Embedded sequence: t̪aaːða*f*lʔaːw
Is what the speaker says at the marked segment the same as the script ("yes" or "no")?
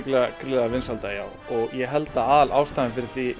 no